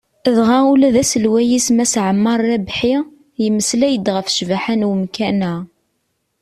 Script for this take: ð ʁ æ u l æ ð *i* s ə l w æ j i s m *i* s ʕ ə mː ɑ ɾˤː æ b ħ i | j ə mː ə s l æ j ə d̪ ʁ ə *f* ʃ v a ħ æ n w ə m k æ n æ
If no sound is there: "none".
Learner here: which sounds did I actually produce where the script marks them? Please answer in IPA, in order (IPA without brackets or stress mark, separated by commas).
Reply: æ, æ, f